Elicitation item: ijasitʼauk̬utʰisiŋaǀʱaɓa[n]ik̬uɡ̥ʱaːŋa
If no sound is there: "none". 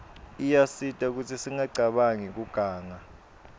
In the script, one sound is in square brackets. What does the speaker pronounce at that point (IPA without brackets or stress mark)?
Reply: ŋ